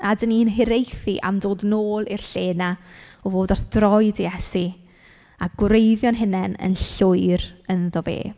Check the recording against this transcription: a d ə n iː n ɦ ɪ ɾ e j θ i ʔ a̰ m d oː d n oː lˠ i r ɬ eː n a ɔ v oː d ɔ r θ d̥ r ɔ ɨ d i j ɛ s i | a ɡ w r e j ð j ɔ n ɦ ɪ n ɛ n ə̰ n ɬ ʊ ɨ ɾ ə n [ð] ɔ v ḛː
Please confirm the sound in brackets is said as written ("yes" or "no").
yes